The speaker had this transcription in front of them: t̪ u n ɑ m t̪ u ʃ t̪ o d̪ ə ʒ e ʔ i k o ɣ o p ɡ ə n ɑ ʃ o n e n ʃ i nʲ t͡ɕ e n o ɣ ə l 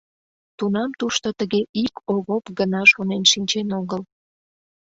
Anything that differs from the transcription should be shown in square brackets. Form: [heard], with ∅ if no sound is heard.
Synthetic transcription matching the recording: t̪ u n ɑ m t̪ u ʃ t̪ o [t̪] ə [ɣ] e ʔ i k o ɣ o p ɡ ə n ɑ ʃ o n e n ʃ i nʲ t͡ɕ e n o ɣ ə l